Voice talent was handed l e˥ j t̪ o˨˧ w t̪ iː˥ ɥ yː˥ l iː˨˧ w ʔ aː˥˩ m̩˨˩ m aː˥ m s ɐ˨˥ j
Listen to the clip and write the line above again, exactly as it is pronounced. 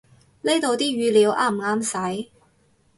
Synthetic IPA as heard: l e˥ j t̪ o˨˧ w t̪ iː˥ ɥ yː˧ l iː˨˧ w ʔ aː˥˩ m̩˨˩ ŋ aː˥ m s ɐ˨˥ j